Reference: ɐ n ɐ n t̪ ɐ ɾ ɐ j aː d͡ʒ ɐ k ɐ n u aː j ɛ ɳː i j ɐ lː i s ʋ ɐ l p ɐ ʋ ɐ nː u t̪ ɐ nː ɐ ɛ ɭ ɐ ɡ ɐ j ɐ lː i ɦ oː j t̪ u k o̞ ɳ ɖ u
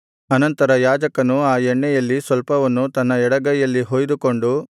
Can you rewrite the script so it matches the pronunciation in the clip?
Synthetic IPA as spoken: ɐ n ɐ n t̪ ɐ ɾ ɐ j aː d͡ʒ ɐ k ɐ n u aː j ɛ ɳː ɛ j ɐ lː i s ʋ ɐ l p ɐ ʋ ɐ nː u t̪ ɐ nː ɐ ɛ ɽ ɐ ɡ ɐ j ɐ lː i ɦ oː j d̪ u k o̞ ɳ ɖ u